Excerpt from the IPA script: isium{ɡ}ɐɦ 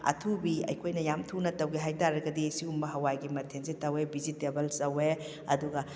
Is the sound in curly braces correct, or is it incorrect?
incorrect: b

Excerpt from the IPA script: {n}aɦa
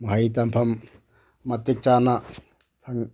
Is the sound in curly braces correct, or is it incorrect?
incorrect: m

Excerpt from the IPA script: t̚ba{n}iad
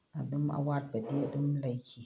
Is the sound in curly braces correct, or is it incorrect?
incorrect: d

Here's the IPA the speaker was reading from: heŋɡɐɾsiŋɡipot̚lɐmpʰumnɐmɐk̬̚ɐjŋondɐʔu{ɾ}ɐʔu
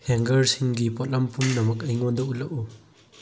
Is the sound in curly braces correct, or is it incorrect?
incorrect: l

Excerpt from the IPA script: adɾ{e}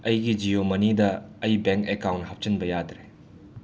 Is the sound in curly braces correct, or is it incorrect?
correct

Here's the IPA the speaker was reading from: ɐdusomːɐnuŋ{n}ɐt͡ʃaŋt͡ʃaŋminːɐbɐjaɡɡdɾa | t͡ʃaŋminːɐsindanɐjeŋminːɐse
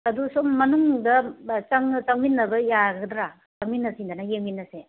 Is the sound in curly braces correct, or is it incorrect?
incorrect: d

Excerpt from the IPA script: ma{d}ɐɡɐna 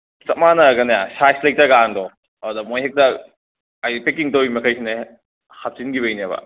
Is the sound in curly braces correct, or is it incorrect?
incorrect: n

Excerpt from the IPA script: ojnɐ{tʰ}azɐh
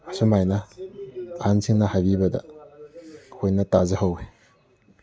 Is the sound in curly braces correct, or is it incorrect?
incorrect: t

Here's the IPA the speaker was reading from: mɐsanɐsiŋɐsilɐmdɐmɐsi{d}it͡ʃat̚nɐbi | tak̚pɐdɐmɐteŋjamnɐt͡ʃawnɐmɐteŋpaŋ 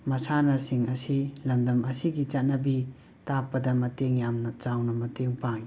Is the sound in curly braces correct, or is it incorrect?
incorrect: ɡ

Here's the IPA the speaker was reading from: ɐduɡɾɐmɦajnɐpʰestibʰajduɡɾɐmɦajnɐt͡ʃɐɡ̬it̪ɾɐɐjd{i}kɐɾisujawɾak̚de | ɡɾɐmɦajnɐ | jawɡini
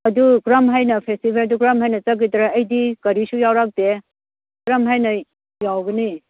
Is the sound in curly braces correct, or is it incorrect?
correct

